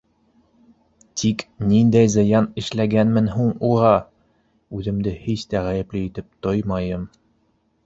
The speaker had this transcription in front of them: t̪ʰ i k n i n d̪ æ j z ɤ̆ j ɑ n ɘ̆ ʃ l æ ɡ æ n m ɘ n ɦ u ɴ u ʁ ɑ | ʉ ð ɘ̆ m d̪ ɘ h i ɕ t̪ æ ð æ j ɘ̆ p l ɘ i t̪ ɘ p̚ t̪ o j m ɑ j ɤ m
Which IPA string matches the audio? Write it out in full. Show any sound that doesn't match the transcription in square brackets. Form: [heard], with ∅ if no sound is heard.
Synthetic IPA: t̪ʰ i k n i n d̪ æ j z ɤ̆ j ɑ n ɘ̆ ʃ l æ ɡ æ n m ɘ n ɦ u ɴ u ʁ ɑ | ʉ ð ɘ̆ m d̪ ɘ h i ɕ t̪ æ [ʁ] æ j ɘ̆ p l ɘ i t̪ ɘ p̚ t̪ o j m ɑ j ɤ m